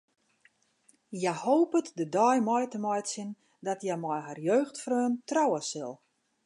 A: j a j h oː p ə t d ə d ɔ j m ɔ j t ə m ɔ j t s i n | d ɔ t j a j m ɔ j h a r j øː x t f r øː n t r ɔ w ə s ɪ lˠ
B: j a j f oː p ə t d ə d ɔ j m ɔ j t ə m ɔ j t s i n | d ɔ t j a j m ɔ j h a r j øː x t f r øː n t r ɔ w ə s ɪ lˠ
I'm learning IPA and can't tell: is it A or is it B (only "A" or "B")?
A